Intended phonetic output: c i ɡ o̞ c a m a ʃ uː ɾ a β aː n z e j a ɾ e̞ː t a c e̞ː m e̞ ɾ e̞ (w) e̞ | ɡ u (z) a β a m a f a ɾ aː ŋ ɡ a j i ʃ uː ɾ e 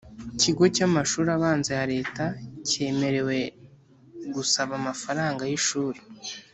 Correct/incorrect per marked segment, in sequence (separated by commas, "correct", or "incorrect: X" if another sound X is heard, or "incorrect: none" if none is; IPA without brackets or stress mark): correct, incorrect: s